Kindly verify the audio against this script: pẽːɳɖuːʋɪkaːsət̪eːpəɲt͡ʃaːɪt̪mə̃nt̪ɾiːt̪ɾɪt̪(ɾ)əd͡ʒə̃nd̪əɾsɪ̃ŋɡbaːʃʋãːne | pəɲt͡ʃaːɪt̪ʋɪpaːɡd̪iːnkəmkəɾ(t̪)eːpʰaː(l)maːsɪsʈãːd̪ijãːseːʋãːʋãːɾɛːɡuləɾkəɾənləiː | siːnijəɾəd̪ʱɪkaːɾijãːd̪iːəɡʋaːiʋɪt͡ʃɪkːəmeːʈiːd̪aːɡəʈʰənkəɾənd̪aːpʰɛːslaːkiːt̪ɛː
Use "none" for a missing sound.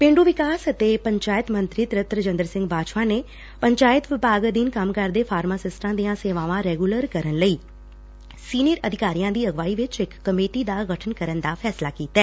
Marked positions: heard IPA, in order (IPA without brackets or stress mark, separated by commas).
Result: ɾ, d̪, ɾ